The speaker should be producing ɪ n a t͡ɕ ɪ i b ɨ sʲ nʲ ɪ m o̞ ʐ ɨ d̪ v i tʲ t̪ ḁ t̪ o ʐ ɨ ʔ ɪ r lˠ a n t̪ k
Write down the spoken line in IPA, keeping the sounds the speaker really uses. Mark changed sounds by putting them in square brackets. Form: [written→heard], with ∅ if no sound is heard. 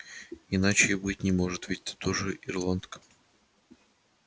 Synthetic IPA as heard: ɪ n a t͡ɕ ɪ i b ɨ [sʲ→tʲ] nʲ ɪ m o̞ ʐ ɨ [d̪→t̪] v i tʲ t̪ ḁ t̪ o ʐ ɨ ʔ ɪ r lˠ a n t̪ k